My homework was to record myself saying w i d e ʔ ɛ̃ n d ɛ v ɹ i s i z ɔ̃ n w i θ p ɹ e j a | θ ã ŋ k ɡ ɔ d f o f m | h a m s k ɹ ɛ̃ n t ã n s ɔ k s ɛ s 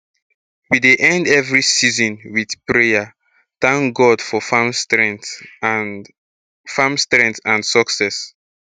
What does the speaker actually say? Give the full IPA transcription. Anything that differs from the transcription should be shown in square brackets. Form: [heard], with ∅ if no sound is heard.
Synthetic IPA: w i d e ʔ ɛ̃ n d ɛ v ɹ i s i z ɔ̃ n w i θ p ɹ e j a | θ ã ŋ k ɡ ɔ d f [ɔ] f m | [f] a m s [t] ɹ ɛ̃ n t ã n s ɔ k s ɛ s